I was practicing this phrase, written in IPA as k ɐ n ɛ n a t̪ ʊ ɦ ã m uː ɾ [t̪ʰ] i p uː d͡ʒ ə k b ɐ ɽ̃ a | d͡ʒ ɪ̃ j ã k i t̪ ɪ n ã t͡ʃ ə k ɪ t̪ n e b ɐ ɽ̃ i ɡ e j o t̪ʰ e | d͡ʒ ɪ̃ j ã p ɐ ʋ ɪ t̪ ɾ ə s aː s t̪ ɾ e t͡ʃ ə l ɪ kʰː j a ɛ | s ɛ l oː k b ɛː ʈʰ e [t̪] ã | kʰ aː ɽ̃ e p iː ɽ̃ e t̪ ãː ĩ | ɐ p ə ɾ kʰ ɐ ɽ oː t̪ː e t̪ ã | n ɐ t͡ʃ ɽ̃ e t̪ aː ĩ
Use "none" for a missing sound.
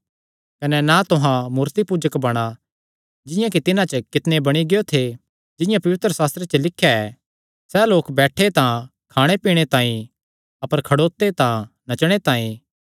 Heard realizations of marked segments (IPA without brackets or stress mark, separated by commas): t̪, t̪